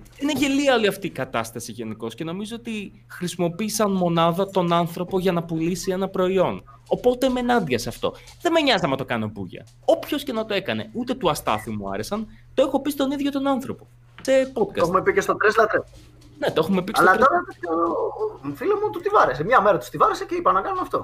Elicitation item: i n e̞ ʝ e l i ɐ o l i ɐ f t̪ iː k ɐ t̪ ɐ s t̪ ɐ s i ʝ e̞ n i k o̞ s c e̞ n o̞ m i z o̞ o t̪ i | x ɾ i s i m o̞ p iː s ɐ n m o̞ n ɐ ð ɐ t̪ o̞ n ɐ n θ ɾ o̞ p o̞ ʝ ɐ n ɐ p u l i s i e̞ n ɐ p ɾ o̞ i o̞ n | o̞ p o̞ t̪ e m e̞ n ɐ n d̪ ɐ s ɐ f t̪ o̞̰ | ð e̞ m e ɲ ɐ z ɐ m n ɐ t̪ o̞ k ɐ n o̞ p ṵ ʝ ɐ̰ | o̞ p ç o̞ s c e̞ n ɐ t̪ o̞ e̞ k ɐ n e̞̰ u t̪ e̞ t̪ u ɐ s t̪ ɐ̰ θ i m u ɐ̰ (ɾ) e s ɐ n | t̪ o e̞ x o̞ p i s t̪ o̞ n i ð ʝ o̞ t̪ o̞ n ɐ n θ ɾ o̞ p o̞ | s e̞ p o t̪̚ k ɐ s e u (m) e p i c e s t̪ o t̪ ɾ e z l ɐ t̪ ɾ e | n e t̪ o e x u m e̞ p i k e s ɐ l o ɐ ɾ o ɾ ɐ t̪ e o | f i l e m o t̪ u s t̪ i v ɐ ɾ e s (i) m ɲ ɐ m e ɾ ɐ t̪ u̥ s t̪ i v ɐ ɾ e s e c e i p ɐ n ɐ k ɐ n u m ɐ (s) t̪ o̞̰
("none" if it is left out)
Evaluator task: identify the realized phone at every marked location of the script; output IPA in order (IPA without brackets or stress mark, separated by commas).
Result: ɾ, m, e, f